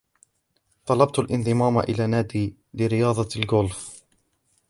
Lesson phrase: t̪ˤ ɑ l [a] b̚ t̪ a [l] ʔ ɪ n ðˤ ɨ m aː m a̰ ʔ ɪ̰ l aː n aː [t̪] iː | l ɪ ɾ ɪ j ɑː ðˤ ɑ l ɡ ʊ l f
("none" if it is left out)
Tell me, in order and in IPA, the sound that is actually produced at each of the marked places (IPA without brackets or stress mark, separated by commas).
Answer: ɑ, l, d̪